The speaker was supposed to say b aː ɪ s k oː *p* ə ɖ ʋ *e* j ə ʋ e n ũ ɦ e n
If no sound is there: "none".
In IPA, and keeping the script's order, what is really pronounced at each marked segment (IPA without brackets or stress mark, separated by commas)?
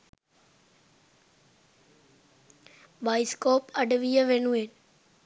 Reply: p, i